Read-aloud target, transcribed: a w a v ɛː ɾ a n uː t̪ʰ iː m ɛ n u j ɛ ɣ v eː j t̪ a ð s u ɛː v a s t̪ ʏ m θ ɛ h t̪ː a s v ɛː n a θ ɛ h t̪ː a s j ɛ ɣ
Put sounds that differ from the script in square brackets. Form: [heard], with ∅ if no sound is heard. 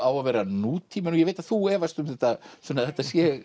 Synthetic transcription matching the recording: a w a v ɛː ɾ a n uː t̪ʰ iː m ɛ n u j ɛ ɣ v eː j t̪ a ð [θ] u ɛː v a s t̪ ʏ m θ ɛ h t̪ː a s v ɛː n a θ ɛ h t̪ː a s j ɛ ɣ